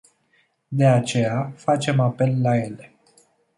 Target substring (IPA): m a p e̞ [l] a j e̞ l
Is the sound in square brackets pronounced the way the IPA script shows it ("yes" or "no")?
no